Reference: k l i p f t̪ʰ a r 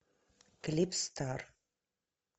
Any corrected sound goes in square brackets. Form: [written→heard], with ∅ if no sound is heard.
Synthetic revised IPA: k l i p [f→s] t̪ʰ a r